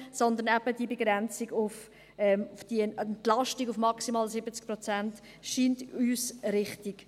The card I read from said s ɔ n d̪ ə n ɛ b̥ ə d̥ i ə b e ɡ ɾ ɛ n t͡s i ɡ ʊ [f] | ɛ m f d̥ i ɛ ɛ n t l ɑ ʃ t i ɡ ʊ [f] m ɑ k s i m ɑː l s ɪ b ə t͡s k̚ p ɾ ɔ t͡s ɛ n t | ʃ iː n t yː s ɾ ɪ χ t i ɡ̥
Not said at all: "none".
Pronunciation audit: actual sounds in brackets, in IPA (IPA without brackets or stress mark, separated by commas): f, f